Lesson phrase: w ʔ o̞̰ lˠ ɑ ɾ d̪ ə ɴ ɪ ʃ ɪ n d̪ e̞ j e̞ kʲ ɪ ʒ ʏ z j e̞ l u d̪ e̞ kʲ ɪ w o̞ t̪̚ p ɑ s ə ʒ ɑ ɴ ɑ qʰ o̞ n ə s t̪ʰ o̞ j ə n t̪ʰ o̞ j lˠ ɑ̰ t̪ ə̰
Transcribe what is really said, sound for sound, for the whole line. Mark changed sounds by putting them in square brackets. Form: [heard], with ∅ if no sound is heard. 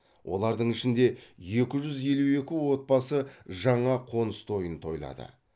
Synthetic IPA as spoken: w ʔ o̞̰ lˠ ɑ ɾ d̪ ə ɴ ɪ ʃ ɪ n d̪ e̞ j e̞ kʲ ɪ ʒ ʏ z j e̞ l u [∅] e̞ kʲ ɪ w o̞ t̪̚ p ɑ s ə ʒ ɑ ɴ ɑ qʰ o̞ n ə s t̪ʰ o̞ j ə n t̪ʰ o̞ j lˠ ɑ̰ [d̪] ə̰